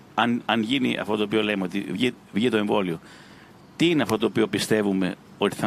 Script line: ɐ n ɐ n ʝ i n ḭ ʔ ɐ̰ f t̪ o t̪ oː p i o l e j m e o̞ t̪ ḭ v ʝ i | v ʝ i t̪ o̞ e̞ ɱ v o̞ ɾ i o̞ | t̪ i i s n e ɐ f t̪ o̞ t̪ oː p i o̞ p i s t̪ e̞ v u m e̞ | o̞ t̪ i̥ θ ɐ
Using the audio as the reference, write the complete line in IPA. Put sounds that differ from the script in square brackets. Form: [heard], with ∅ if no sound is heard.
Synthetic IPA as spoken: ɐ n ɐ n ʝ i n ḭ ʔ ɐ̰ f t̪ o t̪ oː p i o l e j m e o̞ t̪ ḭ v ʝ i | v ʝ i t̪ o̞ e̞ ɱ v o̞ [l] i o̞ | t̪ i i [∅] n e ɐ f t̪ o̞ t̪ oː p i o̞ p i s t̪ e̞ v u m e̞ | o̞ t̪ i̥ θ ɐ